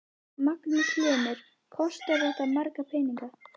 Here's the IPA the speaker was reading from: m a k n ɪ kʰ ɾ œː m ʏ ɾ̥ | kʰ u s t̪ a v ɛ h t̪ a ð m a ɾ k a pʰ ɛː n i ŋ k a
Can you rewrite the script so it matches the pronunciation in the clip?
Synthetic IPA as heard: m a k n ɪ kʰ l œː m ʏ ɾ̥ | kʰ ɔ s t̪ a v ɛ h t̪ a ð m a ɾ k a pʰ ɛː n i ŋ k a